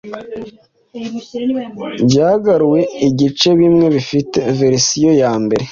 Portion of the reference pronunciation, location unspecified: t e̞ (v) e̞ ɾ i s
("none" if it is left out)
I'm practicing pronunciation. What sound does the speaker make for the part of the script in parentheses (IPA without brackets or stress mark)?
v